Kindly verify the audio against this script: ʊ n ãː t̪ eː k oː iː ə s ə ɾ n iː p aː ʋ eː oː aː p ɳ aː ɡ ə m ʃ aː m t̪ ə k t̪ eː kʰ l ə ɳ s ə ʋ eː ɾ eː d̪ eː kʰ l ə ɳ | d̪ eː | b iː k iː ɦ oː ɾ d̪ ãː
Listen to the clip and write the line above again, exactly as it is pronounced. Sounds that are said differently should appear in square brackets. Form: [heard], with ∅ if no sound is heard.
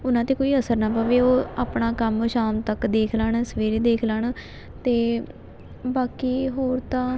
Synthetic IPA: ʊ n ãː t̪ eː k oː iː ə s ə ɾ n [aː] p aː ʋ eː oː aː p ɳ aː [k] ə m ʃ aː m t̪ ə k [d̪] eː kʰ l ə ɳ s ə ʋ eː ɾ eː d̪ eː kʰ l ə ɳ | [t̪] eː | b [aː] k iː ɦ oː ɾ [t̪] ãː

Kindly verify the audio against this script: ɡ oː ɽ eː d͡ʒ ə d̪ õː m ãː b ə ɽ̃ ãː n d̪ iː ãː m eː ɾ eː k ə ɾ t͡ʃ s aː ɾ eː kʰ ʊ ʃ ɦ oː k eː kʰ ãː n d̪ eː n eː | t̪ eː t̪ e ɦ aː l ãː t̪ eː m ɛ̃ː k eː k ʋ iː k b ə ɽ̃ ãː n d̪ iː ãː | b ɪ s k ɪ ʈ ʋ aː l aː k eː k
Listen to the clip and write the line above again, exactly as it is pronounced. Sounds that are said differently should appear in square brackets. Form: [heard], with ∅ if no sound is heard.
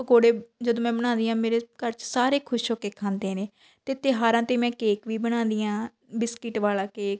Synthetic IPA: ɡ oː ɽ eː d͡ʒ ə d̪ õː m [ɛ̃ː] b ə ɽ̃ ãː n d̪ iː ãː m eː ɾ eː k ə ɾ t͡ʃ s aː ɾ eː kʰ ʊ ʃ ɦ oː k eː kʰ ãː n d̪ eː n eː | t̪ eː t̪ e ɦ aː [ɾ] ãː t̪ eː m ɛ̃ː k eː k ʋ iː [∅] b ə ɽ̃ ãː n d̪ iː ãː | b ɪ s k ɪ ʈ ʋ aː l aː k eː k

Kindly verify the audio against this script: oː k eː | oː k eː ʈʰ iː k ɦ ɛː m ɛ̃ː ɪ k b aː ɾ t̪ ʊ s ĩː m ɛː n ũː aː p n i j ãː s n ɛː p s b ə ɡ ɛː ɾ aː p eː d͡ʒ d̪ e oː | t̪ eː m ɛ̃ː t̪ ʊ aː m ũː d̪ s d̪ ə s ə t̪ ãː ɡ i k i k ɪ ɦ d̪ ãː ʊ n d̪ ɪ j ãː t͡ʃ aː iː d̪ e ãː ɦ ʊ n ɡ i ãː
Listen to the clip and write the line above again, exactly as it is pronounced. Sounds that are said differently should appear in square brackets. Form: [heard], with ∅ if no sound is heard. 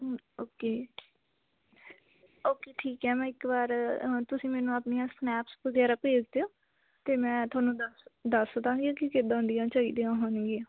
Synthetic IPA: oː k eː | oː k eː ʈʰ iː k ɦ ɛː m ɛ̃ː ɪ k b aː ɾ t̪ ʊ s ĩː m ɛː n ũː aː p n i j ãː s n ɛː p s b ə ɡ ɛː ɾ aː p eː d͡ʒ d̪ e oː | t̪ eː m ɛ̃ː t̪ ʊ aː [n] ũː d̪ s d̪ ə s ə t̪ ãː ɡ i k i k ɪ [∅] d̪ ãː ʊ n d̪ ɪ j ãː t͡ʃ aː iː d̪ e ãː ɦ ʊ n ɡ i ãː

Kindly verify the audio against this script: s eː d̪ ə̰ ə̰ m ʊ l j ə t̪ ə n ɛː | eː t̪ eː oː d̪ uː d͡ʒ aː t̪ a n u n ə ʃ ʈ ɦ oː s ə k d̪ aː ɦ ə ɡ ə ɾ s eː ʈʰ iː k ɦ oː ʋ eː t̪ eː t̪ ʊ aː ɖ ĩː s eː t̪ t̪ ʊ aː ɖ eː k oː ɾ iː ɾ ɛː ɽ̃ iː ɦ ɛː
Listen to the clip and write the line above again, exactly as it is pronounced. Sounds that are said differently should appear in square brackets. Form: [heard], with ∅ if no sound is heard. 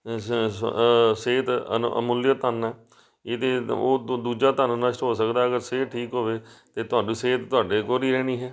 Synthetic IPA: s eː [t̪] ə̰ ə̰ m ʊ l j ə t̪ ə n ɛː | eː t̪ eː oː d̪ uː d͡ʒ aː t̪ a n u n ə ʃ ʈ ɦ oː s ə k d̪ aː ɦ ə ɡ ə ɾ s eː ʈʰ iː k ɦ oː ʋ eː t̪ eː t̪ ʊ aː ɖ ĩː s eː t̪ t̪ ʊ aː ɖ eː k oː ɾ iː ɾ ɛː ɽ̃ iː ɦ ɛː

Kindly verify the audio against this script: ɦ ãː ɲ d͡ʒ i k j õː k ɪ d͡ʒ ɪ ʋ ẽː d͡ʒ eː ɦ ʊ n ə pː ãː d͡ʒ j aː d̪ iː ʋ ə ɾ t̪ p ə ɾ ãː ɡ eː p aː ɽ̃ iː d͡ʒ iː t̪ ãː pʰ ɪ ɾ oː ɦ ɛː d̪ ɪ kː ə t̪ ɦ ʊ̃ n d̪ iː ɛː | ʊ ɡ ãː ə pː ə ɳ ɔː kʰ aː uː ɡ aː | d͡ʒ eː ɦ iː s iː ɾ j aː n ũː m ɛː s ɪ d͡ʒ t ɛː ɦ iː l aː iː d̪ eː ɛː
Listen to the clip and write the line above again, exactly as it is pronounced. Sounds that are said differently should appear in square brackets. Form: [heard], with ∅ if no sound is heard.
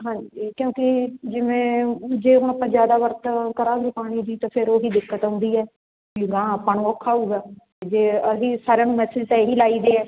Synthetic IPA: ɦ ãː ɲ d͡ʒ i k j õː k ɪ d͡ʒ ɪ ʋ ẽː d͡ʒ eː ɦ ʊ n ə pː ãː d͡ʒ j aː d̪ [aː] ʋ ə ɾ t̪ [k] ə ɾ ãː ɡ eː p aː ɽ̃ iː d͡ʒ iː t̪ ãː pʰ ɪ ɾ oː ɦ [iː] d̪ ɪ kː ə t̪ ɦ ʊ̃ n d̪ iː ɛː | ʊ ɡ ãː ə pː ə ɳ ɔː kʰ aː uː ɡ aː | d͡ʒ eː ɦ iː s [aː] ɾ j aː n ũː m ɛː s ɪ d͡ʒ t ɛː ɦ iː l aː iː d̪ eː ɛː

